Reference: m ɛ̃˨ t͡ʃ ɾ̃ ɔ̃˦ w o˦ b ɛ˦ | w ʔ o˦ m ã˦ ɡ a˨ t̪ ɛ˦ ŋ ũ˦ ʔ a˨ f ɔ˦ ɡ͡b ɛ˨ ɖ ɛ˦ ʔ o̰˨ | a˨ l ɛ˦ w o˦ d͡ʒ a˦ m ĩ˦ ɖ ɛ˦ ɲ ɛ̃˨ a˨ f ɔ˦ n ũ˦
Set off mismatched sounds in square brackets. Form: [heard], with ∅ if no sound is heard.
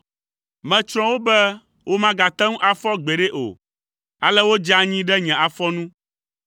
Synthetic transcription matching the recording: m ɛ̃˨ t͡ʃ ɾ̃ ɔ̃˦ w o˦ b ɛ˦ | w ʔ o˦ m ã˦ ɡ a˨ t̪ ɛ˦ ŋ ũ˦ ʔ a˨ f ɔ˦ ɡ͡b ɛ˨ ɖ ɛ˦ ʔ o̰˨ | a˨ l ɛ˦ w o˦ d͡ʒ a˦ [ɲ] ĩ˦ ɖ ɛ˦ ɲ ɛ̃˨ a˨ f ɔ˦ n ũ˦